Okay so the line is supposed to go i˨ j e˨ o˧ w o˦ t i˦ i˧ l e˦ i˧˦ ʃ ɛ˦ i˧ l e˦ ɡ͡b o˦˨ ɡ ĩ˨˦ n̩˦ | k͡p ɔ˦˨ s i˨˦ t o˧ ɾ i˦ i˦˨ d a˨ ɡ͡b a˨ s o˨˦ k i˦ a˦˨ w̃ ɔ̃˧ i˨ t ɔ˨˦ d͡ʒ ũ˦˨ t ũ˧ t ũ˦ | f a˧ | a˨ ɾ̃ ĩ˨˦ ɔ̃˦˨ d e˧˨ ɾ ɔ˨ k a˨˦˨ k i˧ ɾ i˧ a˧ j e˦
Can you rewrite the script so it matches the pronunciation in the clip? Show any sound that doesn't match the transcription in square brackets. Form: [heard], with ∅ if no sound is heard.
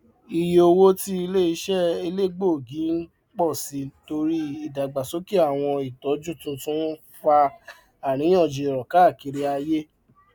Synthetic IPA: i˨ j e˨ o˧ w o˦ t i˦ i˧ l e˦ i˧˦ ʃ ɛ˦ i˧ l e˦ ɡ͡b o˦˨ ɡ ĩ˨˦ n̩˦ | k͡p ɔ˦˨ s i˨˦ t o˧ ɾ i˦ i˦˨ d a˨ ɡ͡b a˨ s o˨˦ k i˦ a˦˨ w̃ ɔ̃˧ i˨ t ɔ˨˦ d͡ʒ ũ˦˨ t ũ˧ t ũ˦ | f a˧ | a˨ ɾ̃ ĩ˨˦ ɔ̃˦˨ [d͡ʒ] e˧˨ ɾ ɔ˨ k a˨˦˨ k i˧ ɾ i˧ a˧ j e˦